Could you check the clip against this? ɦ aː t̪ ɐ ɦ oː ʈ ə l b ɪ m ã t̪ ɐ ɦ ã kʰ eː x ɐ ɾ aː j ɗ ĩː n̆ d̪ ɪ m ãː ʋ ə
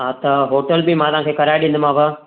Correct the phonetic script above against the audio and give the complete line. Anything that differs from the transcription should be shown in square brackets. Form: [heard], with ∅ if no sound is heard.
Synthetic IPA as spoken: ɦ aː t̪ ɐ ɦ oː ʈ ə l b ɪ m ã t̪ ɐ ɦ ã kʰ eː [k] ɐ ɾ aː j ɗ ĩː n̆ d̪ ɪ m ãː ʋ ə